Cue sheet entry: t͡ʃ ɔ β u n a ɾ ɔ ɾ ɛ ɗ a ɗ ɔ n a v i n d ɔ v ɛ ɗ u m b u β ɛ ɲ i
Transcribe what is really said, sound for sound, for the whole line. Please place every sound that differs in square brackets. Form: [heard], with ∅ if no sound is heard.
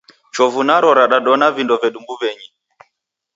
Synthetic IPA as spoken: t͡ʃ ɔ [v] u n a ɾ ɔ ɾ [a] ɗ a ɗ ɔ n a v i n d ɔ v ɛ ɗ u m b u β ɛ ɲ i